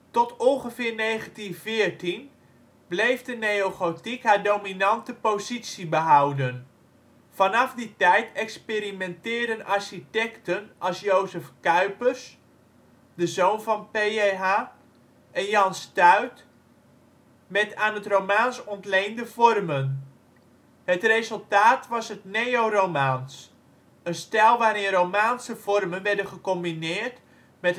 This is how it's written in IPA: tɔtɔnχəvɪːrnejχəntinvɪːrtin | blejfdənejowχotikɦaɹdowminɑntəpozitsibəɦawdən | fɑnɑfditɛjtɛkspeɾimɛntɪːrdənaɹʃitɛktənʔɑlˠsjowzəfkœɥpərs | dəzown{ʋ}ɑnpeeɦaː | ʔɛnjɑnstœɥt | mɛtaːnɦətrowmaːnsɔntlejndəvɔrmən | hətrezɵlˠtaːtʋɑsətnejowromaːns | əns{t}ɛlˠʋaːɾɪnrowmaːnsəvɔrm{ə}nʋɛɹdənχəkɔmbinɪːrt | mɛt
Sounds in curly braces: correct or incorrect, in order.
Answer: incorrect: v, correct, correct

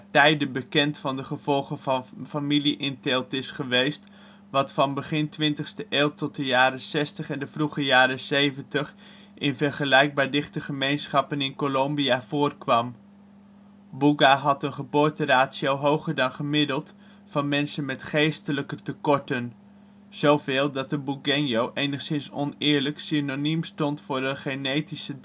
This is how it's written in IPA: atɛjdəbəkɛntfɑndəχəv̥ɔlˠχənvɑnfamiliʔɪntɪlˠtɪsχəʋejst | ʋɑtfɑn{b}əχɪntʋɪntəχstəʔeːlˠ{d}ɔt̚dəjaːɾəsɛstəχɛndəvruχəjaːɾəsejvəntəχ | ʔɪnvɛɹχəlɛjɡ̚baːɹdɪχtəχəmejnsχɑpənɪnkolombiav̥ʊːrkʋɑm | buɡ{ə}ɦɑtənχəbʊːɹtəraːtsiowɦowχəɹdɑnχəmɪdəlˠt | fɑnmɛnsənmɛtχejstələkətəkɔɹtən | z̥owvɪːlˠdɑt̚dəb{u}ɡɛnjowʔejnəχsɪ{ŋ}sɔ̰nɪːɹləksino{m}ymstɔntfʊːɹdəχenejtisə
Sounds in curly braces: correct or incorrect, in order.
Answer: correct, incorrect: t, incorrect: a, correct, incorrect: n, incorrect: n

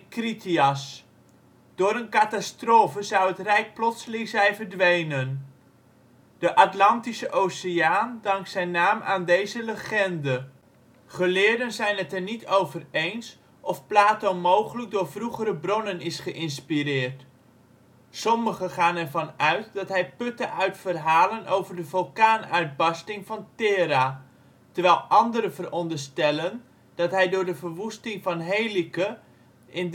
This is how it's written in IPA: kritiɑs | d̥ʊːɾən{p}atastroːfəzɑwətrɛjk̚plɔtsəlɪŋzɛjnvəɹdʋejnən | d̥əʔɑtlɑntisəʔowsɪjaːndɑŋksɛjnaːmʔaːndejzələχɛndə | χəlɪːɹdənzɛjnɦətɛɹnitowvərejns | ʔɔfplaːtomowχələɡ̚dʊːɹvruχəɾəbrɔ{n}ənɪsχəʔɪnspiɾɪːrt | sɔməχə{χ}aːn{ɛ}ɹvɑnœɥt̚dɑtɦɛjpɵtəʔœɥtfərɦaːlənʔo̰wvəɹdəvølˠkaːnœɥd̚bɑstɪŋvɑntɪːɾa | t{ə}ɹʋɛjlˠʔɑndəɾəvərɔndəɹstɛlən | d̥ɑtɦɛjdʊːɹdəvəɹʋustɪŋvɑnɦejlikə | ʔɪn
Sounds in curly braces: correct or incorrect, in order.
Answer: incorrect: k, correct, correct, correct, correct

